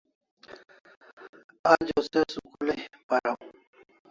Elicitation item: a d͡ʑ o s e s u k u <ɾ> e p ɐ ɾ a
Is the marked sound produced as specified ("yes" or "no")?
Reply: no